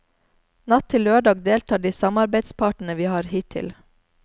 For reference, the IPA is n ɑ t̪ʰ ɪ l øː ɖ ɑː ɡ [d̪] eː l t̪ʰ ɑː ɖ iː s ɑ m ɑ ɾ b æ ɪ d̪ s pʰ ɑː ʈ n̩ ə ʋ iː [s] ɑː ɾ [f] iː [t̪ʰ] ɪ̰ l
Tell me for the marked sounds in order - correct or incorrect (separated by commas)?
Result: correct, incorrect, incorrect, correct